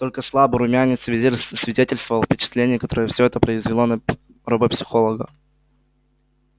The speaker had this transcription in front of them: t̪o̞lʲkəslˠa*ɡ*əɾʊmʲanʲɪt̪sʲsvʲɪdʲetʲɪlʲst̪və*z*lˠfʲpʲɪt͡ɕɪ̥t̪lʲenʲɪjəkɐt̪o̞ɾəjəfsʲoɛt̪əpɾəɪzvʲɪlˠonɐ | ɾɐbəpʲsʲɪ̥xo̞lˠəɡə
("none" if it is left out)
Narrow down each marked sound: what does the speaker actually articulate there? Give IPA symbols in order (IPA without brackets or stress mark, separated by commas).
b, v